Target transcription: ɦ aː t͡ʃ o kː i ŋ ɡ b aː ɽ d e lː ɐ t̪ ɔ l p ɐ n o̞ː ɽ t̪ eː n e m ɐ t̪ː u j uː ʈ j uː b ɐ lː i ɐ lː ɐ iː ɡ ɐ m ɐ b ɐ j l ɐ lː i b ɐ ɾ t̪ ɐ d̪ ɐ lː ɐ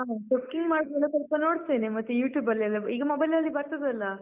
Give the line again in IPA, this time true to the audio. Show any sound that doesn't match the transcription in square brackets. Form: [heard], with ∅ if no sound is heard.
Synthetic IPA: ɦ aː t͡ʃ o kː i ŋ ɡ [m] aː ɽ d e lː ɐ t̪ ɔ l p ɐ n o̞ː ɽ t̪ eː n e m ɐ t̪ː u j uː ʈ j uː b ɐ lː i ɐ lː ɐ iː ɡ ɐ m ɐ b ɐ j l ɐ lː i b ɐ ɾ t̪ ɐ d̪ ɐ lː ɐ